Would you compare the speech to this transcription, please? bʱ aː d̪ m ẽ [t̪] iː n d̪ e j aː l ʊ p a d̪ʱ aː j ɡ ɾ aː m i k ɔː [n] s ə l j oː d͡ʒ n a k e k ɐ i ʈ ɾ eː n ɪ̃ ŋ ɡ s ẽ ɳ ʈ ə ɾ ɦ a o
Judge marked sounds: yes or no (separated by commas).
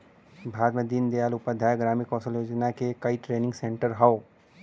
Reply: no, no